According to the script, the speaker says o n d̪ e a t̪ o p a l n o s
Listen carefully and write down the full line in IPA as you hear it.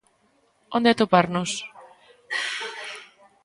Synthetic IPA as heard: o n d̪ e a t̪ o p a ɾ n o s